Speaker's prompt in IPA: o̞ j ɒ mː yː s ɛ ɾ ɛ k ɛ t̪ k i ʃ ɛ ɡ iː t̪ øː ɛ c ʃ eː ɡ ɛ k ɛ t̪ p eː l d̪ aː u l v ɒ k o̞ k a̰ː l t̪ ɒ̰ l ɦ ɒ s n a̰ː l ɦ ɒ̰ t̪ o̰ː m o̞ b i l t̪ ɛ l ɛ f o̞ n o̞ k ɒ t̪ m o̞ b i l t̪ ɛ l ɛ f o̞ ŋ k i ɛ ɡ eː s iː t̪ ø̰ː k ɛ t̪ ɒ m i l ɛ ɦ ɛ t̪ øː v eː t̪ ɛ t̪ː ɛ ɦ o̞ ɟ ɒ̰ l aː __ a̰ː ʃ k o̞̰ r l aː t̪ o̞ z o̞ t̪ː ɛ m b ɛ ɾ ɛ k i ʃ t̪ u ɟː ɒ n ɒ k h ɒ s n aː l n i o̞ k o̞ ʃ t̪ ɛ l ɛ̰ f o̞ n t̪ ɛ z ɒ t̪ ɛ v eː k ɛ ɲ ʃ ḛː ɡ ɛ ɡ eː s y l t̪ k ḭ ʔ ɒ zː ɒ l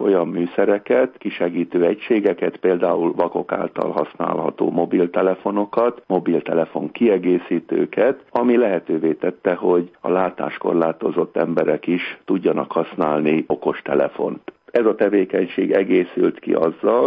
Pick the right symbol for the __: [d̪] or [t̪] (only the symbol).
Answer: t̪